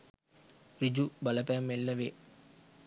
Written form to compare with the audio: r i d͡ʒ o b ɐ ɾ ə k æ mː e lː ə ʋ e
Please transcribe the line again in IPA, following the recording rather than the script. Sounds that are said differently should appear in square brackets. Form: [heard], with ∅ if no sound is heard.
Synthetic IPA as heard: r i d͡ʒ [u] b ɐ [l] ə [p] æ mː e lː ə ʋ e